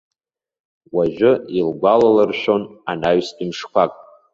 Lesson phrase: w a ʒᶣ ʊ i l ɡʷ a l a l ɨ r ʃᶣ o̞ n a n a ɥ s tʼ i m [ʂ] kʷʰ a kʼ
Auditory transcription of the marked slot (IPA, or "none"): ʂ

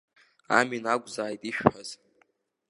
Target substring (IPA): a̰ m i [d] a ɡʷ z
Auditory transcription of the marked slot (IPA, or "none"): n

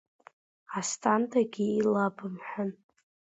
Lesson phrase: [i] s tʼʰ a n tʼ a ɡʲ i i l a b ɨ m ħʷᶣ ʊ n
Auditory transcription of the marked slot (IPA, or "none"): a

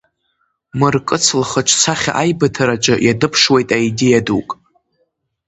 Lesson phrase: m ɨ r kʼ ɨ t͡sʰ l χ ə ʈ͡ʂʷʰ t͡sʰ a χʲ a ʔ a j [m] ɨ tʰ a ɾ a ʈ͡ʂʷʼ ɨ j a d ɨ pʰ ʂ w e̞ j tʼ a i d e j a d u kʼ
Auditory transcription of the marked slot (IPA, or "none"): b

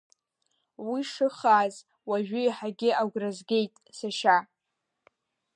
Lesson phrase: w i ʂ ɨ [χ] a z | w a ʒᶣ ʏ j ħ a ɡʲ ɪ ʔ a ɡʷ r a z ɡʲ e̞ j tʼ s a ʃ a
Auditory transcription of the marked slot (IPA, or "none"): χ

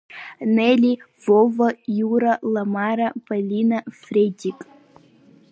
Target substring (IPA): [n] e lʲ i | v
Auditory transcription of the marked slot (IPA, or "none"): n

